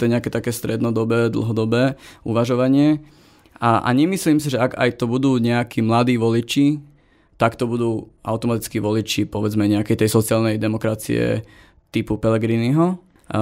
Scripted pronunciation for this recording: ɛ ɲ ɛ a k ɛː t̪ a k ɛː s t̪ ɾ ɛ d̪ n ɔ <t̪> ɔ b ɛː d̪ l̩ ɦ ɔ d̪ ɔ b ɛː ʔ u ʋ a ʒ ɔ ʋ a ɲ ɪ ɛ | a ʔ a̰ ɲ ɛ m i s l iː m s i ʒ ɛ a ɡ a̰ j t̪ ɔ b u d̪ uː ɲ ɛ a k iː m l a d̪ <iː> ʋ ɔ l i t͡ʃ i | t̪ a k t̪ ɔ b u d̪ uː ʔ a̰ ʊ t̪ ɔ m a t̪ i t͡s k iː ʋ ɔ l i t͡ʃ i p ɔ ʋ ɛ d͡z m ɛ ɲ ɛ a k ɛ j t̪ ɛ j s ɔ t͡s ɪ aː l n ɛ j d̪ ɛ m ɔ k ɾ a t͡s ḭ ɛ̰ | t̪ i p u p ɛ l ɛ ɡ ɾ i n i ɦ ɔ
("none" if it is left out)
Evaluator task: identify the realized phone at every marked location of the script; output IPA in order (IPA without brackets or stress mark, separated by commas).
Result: d̪, iː